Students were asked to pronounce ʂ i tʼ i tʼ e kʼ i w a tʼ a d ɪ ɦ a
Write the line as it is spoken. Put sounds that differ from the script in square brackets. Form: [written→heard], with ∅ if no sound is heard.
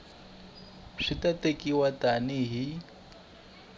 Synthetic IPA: ʂ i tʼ [i→a] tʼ e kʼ i w a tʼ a [d→n] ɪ ɦ [a→i]